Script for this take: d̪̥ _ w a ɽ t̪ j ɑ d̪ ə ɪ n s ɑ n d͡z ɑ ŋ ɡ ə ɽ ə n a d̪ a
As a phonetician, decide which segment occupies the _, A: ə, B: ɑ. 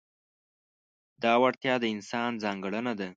B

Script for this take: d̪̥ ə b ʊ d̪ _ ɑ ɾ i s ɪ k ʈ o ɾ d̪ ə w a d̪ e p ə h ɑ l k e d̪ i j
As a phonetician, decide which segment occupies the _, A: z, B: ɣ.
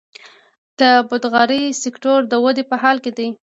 B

